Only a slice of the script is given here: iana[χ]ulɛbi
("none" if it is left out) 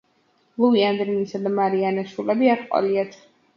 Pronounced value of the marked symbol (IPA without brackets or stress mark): ʃ